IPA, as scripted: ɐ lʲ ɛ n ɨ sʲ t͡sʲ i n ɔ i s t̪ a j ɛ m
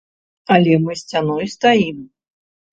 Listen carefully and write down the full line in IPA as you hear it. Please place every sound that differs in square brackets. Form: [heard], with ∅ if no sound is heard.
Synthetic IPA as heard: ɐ lʲ ɛ [m] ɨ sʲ t͡sʲ [a] n ɔ [j] s t̪ a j [i] m